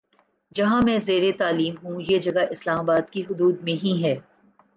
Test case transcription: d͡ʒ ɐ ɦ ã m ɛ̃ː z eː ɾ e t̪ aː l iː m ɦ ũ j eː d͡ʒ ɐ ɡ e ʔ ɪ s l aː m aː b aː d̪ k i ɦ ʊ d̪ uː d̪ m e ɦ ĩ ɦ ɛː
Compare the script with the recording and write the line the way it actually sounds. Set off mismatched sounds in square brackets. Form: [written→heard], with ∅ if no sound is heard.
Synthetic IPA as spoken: d͡ʒ ɐ ɦ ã m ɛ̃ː z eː ɾ e t̪ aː l iː m ɦ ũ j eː d͡ʒ ɐ ɡ [e→a] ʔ ɪ s l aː m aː b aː d̪ k i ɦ ʊ d̪ uː d̪ m [e→ẽ] ɦ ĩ ɦ ɛː